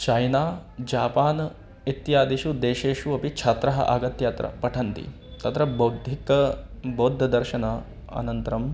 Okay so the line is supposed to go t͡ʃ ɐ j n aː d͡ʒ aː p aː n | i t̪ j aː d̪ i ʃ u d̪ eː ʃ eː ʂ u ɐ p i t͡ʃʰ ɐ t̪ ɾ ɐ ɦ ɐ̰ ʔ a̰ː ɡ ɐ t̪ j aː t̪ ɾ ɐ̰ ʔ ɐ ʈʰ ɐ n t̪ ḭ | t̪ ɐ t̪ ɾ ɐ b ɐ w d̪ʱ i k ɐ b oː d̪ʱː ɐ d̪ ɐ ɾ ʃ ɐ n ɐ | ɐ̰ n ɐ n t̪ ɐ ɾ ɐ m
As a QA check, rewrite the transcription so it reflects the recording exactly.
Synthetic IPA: t͡ʃ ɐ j n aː d͡ʒ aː p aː n | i t̪ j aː d̪ i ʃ u d̪ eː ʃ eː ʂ u ɐ p i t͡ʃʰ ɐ t̪ ɾ ɐ ɦ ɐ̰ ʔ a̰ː ɡ ɐ t̪ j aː t̪ ɾ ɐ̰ p ɐ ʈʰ ɐ n t̪ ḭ | t̪ ɐ t̪ ɾ ɐ b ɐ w d̪ʱ i k ɐ b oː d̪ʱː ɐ d̪ ɐ ɾ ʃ ɐ n ɐ | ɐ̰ n ɐ n t̪ ɐ ɾ ɐ m

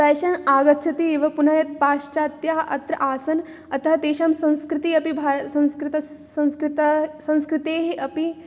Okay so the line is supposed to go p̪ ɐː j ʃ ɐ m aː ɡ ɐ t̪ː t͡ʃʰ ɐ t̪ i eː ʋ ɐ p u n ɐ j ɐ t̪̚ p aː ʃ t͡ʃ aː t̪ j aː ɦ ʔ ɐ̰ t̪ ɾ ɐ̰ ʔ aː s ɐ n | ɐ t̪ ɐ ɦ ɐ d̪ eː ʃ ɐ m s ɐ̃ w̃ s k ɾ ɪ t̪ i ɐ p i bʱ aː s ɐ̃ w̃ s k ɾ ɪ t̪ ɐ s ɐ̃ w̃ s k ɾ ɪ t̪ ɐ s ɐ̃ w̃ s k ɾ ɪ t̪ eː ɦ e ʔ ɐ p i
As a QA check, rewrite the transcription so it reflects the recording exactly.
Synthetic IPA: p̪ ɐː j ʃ ɐ n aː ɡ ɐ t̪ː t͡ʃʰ ɐ t̪ i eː ʋ ɐ p u n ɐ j ɐ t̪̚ p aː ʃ t͡ʃ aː t̪ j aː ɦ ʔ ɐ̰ t̪ ɾ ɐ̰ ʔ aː s ɐ n | ɐ t̪ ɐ ɦ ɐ t̪ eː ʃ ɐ m s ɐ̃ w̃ s k ɾ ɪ t̪ i ɐ p i bʱ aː s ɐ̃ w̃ s k ɾ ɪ t̪ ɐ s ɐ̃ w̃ s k ɾ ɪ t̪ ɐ s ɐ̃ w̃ s k ɾ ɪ t̪ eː ɦ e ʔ ɐ p i

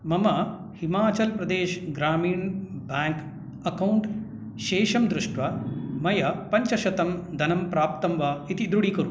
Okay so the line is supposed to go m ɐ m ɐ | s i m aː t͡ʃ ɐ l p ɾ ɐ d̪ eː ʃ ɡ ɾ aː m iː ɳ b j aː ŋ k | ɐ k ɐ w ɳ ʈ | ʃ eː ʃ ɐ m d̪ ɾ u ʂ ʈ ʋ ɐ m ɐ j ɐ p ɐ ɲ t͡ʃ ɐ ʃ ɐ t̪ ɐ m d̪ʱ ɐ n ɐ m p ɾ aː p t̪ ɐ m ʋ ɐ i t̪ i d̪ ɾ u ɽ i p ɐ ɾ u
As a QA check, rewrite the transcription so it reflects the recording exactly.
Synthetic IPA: m ɐ m ɐ | h i m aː t͡ʃ ɐ l p ɾ ɐ d̪ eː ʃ ɡ ɾ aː m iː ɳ b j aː ŋ k | ɐ k ɐ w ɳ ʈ | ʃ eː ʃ ɐ m d̪ ɾ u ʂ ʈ ʋ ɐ m ɐ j ɐ p ɐ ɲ t͡ʃ ɐ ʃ ɐ t̪ ɐ m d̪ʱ ɐ n ɐ m p ɾ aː p t̪ ɐ m ʋ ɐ i t̪ i d̪ ɾ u ɽ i k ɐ ɾ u

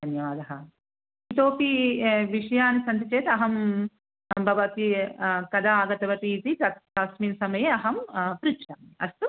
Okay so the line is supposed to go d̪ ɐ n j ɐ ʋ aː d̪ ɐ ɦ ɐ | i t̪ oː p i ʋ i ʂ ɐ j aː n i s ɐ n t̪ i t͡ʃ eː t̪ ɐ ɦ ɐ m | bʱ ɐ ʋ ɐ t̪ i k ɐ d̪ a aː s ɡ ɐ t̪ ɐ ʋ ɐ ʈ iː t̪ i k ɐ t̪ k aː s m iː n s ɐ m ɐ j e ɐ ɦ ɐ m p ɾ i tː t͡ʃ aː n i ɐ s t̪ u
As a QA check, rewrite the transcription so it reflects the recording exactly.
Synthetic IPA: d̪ ɐ n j ɐ ʋ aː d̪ ɐ ɦ ɐ | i t̪ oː p i ʋ i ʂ ɐ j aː n i s ɐ n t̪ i t͡ʃ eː t̪ ɐ ɦ ɐ m | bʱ ɐ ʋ ɐ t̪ i k ɐ d̪ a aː ɡ ɐ t̪ ɐ ʋ ɐ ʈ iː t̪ i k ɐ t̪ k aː s m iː n s ɐ m ɐ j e ɐ ɦ ɐ m p ɾ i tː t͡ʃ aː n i ɐ s t̪ u

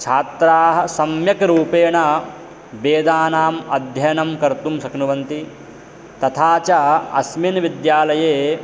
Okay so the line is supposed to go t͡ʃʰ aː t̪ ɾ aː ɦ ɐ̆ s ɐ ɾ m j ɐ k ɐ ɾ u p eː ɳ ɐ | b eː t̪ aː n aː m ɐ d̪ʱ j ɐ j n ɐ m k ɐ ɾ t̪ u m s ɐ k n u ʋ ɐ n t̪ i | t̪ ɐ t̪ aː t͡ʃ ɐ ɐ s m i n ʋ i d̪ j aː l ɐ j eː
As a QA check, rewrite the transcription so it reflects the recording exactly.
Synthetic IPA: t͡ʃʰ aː t̪ ɾ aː ɦ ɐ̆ s ɐ m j ɐ k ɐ ɾ uː p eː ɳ ɐ | b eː d̪ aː n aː m ɐ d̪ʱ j ɐ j n ɐ m k ɐ ɾ t̪ u m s ɐ k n u ʋ ɐ n t̪ i | t̪ ɐ t̪ʰ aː t͡ʃ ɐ ɐ s m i n ʋ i d̪ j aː l ɐ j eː

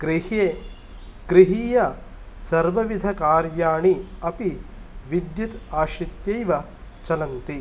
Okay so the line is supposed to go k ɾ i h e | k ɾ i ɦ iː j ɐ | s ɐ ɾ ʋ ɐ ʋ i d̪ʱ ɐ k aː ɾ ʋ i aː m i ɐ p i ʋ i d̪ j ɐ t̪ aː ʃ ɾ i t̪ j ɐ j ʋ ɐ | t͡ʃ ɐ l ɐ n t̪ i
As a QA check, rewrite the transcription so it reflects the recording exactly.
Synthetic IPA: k ɾ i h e | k ɾ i ɦ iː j ɐ | s ɐ ɾ ʋ ɐ ʋ i d̪ʱ ɐ k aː ɾ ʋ j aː ɳ i ɐ p i ʋ i d̪ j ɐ t̪ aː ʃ ɾ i t̪ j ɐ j ʋ ɐ | t͡ʃ ɐ l ɐ n t̪ i

